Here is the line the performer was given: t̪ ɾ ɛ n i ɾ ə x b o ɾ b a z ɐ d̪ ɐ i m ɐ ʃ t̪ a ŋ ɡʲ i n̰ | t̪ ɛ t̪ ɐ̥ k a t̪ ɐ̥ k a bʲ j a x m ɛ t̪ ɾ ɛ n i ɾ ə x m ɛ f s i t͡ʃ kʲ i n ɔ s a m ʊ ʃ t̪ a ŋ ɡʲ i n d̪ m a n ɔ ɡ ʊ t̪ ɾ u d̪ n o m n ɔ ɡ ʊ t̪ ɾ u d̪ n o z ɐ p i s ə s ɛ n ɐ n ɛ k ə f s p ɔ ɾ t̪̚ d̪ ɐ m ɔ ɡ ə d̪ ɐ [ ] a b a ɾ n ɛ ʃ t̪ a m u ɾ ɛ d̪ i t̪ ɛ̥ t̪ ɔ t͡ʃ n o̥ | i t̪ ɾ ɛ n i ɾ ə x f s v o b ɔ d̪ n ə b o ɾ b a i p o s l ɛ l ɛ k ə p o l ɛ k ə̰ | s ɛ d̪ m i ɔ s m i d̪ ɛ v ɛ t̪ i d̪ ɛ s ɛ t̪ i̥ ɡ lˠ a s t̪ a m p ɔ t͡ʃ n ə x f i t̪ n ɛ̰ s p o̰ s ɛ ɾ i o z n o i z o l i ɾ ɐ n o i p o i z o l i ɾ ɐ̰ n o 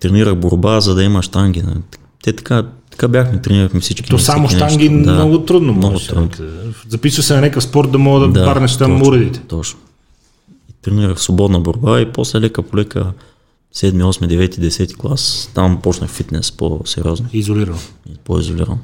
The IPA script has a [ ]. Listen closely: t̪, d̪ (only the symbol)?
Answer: d̪